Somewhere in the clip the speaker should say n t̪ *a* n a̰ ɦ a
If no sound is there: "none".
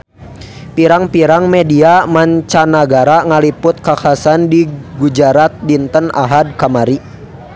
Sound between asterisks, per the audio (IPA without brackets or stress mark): ə